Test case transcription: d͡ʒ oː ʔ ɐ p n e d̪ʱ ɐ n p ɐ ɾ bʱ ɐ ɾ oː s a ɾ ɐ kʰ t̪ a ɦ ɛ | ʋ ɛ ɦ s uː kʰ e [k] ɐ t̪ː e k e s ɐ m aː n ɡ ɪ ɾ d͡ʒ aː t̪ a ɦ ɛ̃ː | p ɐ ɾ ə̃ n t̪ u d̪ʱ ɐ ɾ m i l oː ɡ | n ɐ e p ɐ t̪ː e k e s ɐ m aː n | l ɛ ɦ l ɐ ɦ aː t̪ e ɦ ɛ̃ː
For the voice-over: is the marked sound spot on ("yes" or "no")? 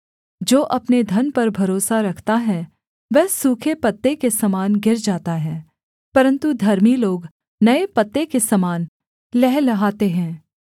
no